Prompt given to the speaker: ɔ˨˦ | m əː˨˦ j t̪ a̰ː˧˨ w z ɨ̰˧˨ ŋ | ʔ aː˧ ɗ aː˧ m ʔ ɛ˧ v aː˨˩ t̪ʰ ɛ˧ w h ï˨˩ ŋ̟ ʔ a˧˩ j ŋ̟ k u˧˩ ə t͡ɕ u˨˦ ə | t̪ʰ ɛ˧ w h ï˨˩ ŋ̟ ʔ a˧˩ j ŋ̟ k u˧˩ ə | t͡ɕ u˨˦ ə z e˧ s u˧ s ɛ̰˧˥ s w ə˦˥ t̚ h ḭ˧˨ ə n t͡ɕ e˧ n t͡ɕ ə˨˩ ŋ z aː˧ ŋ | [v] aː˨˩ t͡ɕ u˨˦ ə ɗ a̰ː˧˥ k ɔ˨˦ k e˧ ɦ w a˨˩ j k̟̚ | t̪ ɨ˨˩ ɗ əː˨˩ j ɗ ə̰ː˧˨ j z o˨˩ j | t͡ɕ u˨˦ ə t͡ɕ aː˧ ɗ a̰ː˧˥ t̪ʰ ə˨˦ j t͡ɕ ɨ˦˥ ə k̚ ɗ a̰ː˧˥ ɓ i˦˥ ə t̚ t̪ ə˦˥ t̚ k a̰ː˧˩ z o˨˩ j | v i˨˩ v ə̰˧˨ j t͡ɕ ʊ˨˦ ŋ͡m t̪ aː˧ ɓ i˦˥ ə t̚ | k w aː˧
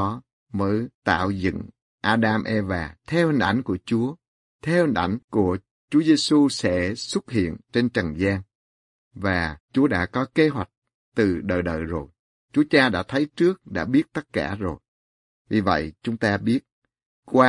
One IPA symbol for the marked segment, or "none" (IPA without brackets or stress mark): v